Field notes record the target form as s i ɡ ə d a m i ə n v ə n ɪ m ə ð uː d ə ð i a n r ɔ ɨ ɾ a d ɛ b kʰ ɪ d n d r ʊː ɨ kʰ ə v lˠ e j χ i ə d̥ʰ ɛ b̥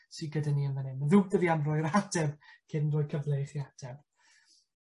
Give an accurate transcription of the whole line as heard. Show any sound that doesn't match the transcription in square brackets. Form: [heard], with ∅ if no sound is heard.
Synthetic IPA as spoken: s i ɡ ə d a [n] i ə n v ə n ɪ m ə ð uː d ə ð i a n r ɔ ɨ ɾ a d ɛ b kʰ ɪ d n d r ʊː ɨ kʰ ə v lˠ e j χ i [a] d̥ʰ ɛ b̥